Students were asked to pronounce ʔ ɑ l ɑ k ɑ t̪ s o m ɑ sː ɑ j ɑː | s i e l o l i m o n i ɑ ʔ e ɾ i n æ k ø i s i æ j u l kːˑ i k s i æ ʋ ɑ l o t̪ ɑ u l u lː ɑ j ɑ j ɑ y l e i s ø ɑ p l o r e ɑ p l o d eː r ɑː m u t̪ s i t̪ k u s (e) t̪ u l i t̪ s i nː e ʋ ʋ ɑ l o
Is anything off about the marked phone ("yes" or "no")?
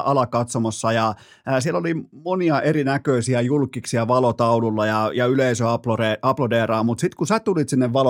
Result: yes